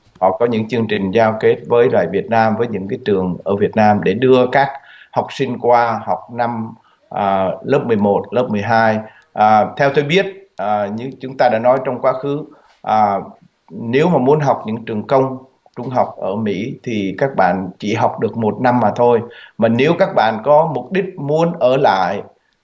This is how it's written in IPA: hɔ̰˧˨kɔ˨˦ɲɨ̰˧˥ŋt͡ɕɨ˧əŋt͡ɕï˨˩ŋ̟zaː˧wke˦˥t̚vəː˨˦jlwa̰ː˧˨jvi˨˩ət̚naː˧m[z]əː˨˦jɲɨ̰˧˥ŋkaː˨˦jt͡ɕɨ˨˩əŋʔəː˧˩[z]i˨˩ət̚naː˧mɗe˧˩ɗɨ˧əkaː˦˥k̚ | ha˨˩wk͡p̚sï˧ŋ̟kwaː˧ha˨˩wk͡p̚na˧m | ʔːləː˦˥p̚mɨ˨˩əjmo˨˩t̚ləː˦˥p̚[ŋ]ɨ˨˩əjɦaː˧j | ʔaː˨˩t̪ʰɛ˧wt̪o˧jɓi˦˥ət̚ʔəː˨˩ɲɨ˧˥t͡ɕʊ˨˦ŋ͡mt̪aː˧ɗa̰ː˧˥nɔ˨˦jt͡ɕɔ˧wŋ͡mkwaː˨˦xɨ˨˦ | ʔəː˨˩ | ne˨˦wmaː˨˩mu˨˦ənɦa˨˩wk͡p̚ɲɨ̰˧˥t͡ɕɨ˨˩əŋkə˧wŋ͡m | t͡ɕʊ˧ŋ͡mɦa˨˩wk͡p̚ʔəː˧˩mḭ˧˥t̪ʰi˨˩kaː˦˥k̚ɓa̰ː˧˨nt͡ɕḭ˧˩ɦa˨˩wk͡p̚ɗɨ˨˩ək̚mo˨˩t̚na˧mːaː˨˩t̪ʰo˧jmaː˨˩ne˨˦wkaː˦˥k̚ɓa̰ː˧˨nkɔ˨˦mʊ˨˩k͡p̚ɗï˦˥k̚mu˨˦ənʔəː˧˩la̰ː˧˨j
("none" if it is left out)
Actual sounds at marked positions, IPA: v, v, m

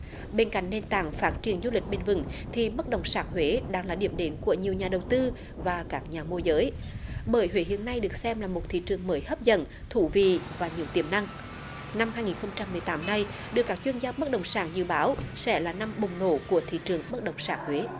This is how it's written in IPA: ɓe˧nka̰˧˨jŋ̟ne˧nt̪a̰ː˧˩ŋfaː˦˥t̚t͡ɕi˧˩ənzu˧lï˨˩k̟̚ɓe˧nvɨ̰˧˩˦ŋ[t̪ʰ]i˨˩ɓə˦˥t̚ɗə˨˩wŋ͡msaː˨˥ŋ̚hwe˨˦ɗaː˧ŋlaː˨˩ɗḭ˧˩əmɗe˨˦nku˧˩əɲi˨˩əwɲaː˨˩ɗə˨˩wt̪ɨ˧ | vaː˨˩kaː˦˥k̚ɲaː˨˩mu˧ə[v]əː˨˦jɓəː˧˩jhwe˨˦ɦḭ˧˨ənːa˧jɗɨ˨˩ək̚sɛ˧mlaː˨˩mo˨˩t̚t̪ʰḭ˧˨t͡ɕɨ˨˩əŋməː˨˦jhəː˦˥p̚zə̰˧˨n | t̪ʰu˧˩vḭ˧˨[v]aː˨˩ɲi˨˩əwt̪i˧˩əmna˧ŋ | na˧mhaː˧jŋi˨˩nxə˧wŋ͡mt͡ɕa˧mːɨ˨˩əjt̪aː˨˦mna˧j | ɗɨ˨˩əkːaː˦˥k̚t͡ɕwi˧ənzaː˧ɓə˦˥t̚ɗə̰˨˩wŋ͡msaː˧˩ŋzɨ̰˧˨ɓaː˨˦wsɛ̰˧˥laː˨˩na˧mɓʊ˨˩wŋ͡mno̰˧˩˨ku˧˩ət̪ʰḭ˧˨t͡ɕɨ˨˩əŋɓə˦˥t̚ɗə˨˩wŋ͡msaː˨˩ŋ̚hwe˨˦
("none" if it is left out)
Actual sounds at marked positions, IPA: t̪ʰ, z, v

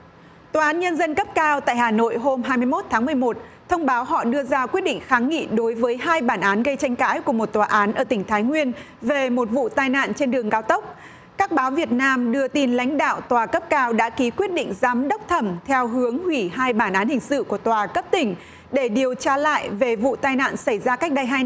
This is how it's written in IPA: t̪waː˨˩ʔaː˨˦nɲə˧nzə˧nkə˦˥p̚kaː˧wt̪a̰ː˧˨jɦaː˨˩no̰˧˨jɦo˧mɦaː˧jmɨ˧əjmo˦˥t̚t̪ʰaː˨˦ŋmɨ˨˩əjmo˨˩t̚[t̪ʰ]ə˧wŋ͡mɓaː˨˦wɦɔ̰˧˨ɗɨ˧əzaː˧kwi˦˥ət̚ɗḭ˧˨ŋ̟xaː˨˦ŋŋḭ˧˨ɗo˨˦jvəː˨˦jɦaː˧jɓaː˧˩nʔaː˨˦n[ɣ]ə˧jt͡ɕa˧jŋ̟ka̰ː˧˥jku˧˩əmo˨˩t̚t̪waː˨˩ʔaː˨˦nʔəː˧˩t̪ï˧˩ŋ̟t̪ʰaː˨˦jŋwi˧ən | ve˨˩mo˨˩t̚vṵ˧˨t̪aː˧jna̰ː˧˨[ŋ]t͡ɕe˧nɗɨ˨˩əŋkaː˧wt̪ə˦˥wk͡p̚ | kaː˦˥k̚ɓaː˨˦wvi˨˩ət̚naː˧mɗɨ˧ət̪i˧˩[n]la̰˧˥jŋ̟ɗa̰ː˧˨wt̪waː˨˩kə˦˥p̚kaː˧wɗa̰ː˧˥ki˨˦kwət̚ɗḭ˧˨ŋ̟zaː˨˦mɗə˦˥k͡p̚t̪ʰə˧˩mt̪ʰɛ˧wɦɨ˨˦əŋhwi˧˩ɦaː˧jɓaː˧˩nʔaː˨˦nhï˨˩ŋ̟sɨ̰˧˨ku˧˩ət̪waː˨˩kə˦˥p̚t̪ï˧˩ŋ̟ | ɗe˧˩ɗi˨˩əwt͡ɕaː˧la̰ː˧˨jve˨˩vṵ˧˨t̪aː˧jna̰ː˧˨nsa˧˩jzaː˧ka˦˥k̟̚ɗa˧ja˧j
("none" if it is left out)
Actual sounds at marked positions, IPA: t̪ʰ, ɣ, n, n

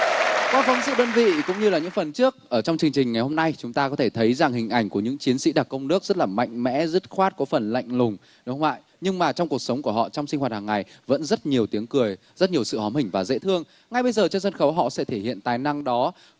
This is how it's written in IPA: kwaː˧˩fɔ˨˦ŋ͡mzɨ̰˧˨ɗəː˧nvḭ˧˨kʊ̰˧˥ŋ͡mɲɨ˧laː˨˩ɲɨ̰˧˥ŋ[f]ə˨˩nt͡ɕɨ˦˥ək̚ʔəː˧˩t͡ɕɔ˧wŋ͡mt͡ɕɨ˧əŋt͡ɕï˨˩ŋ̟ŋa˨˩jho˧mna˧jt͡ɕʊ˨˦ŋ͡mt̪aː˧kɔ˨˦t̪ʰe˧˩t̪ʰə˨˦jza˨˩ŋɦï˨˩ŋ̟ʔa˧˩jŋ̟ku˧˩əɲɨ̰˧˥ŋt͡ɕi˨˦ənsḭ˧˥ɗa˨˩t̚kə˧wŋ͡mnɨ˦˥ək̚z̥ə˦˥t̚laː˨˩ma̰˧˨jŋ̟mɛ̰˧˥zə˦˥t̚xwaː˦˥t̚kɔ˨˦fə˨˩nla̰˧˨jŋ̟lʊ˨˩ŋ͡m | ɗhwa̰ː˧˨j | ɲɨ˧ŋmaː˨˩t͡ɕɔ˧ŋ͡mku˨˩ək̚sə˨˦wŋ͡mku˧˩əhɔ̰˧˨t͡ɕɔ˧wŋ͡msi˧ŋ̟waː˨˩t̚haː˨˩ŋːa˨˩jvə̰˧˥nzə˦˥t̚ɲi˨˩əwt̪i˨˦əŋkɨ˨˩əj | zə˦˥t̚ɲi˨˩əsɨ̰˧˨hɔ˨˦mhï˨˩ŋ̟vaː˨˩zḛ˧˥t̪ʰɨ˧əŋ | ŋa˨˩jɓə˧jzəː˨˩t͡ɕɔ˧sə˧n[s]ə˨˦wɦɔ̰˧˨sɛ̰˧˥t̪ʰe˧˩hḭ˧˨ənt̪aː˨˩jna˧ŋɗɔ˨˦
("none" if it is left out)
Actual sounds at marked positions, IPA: f, x

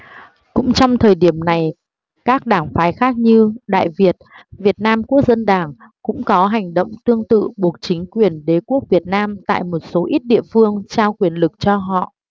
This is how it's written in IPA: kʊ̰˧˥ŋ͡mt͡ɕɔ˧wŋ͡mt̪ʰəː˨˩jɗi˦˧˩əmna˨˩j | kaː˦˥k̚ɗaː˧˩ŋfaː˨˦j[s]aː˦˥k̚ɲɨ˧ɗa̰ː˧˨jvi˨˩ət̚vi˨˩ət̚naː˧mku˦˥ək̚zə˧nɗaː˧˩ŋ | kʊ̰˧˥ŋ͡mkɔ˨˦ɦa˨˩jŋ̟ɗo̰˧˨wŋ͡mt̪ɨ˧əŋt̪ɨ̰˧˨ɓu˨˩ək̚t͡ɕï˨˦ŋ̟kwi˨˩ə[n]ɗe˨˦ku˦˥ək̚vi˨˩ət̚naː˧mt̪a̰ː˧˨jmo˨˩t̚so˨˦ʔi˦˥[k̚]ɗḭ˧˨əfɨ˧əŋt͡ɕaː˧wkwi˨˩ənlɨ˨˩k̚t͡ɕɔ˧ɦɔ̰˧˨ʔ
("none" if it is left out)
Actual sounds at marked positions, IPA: x, n, t̚

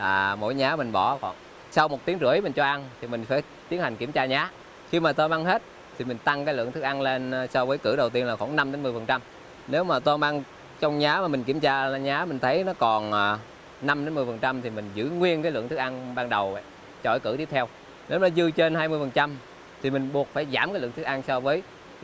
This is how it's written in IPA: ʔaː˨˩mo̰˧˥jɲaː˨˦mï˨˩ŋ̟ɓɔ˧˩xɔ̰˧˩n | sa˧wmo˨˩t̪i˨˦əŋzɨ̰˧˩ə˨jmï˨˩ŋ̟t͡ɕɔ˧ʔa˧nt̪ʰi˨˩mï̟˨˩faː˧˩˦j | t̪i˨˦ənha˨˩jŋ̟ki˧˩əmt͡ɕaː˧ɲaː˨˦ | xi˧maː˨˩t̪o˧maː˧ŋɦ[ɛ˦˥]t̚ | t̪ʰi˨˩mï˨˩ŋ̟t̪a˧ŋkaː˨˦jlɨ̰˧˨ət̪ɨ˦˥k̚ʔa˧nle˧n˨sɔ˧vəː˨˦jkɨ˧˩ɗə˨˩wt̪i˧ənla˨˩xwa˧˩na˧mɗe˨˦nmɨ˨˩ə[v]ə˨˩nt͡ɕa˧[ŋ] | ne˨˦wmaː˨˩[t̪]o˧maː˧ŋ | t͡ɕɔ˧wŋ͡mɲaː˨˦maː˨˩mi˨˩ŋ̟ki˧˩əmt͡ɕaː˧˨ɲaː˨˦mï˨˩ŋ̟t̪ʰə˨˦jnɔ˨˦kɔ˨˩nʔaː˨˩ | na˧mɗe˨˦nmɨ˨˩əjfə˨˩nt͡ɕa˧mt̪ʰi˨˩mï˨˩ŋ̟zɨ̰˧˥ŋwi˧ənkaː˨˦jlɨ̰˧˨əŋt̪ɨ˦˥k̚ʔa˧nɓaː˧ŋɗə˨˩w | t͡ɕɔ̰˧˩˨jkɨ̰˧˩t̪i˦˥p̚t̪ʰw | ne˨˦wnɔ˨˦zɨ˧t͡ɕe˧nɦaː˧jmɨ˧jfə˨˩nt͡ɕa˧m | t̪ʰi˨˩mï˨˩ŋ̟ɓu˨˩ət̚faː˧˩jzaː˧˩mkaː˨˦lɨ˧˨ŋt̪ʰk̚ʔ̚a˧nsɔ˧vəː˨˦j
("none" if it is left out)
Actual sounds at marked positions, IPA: e˦˥, f, m, t̪

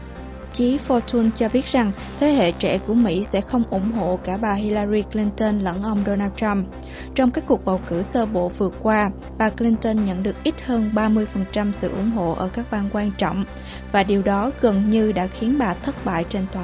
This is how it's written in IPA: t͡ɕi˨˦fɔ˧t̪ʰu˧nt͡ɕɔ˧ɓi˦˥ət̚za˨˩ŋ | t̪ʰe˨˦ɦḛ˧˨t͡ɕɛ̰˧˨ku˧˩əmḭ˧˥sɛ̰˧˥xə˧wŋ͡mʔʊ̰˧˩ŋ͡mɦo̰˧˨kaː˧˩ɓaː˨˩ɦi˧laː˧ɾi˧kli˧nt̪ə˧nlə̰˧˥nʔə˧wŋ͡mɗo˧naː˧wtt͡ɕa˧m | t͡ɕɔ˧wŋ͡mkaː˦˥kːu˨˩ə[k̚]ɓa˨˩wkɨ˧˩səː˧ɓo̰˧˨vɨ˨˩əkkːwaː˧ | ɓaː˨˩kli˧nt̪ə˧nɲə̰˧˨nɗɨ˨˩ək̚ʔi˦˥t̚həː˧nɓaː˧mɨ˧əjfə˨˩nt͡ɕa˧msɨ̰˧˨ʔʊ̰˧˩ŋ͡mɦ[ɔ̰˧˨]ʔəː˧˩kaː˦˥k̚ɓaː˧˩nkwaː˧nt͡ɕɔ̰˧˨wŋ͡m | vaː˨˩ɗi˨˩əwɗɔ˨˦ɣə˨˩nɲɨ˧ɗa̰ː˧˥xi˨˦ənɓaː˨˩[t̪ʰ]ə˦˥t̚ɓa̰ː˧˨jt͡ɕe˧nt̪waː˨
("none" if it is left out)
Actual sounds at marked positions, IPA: k̚, o̰˧˨, t̪ʰ

